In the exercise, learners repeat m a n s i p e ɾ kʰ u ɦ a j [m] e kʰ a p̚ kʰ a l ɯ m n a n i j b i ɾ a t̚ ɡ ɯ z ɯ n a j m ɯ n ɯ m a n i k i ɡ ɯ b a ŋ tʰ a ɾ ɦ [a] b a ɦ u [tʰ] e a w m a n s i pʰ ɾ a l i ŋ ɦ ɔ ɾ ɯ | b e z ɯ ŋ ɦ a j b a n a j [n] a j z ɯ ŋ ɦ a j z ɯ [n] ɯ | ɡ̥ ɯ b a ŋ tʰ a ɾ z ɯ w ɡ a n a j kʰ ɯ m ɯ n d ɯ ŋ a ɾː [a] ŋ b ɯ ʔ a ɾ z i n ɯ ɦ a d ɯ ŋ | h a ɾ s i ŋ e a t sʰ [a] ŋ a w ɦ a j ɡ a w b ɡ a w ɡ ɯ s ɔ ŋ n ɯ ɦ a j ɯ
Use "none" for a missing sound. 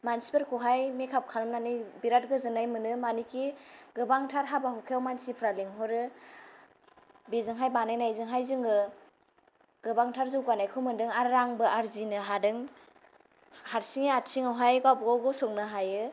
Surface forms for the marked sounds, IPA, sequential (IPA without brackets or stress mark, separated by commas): m, a, kʰ, n, ŋ, a, i